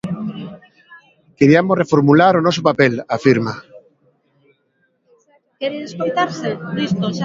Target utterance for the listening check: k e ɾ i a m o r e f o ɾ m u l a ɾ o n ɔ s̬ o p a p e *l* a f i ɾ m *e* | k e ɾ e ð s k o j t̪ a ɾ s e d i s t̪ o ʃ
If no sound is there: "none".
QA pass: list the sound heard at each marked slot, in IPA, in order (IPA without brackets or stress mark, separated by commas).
l, a